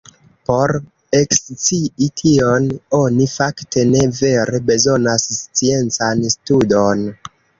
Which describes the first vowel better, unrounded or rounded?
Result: rounded